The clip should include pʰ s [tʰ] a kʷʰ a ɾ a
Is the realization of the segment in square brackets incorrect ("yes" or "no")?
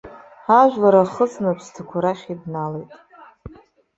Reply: no